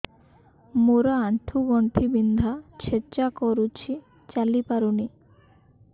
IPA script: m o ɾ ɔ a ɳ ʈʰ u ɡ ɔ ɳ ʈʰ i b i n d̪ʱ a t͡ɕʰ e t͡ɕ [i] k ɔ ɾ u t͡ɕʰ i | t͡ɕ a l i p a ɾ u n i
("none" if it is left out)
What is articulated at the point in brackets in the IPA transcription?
a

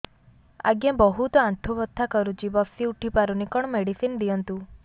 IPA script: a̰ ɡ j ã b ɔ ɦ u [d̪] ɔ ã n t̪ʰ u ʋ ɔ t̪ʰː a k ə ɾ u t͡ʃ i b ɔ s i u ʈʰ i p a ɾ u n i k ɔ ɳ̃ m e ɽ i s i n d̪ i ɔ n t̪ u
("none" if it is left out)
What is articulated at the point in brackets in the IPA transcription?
t̪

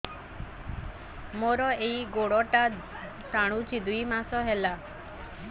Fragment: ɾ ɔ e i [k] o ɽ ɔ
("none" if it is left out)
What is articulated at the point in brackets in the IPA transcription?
ɡ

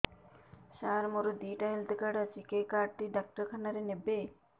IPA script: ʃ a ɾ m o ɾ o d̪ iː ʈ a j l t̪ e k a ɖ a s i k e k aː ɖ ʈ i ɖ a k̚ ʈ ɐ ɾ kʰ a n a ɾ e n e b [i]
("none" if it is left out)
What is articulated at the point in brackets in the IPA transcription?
e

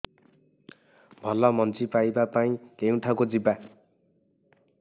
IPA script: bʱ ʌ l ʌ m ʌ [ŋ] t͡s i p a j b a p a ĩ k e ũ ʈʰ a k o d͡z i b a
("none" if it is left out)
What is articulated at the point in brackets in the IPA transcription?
n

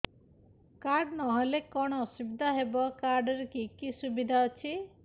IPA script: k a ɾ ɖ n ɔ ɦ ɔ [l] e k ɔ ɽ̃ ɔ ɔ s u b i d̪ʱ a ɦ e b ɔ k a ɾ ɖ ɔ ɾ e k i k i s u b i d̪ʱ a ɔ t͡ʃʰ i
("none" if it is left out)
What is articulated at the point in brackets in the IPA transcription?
l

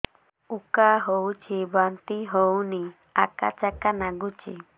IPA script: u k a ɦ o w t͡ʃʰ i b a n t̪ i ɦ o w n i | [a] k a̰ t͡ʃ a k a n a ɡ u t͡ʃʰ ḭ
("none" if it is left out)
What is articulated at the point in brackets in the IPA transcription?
a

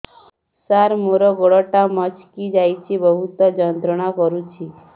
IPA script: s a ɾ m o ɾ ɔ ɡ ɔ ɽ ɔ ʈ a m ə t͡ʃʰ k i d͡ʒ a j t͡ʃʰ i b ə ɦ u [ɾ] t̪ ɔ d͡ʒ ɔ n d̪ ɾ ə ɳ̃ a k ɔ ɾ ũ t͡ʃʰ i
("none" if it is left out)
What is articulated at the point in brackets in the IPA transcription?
none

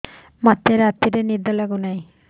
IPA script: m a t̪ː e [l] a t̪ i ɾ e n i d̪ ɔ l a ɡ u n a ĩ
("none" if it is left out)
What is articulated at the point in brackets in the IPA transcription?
ɾ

